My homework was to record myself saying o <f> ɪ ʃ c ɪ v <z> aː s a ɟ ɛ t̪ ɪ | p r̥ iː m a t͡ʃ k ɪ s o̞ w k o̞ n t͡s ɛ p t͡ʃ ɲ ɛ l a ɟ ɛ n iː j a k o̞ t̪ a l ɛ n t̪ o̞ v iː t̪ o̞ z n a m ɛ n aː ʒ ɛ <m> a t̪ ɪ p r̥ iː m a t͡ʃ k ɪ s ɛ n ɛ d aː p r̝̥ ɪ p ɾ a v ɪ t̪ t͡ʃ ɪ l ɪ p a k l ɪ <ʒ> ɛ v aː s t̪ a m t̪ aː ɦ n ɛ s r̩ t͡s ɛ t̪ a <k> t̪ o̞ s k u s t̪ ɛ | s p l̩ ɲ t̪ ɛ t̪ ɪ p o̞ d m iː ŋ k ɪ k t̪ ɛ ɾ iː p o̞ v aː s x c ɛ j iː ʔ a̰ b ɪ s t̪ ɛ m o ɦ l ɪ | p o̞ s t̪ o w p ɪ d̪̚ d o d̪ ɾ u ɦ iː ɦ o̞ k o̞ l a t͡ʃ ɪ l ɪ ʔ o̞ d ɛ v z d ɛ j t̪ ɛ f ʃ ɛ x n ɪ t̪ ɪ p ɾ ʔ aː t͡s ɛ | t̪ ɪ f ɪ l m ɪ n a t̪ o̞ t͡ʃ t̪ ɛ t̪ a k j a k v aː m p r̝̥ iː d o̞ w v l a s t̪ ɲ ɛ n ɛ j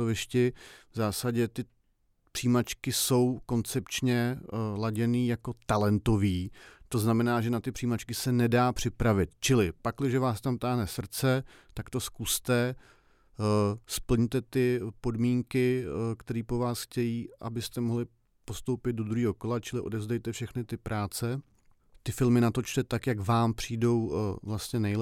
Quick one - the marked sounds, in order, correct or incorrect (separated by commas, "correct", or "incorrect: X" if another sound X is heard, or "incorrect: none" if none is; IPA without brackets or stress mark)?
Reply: incorrect: v, correct, incorrect: n, correct, correct